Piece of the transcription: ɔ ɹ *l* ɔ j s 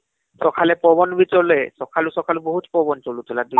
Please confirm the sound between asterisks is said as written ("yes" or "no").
yes